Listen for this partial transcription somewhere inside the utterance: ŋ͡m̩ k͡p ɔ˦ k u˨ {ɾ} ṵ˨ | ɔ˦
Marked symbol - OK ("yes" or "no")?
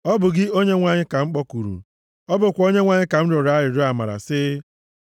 yes